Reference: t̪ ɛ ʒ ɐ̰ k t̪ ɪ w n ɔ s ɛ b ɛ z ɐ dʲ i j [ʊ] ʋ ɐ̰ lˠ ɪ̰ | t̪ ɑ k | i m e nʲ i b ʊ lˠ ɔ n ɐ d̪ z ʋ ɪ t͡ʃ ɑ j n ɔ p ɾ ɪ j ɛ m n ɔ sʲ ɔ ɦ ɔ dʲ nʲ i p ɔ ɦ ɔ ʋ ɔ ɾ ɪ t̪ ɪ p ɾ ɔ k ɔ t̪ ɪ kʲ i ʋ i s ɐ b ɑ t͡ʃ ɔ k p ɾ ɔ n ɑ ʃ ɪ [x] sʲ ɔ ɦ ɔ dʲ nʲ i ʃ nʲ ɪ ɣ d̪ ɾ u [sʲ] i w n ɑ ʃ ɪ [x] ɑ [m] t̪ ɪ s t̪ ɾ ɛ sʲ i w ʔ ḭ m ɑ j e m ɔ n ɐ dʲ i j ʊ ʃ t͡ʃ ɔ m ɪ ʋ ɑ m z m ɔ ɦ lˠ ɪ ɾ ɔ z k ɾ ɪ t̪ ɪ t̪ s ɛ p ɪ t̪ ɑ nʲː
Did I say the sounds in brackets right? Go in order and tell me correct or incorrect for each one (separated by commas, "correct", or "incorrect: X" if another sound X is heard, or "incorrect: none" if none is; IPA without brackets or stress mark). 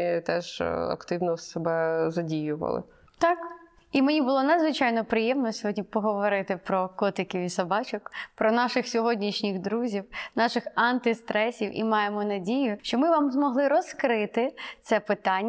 correct, correct, incorrect: zʲ, correct, incorrect: n